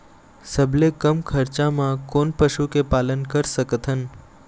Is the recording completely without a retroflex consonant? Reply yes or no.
yes